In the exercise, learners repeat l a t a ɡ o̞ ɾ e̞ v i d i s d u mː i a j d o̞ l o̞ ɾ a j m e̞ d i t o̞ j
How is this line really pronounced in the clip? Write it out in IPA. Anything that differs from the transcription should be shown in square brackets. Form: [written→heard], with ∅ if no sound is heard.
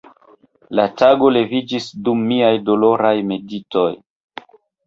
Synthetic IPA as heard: l a t a ɡ o̞ [ɾ→l] e̞ v i [d→d͡ʒ] i s d u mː i a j d o̞ l o̞ ɾ a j m e̞ d i t o̞ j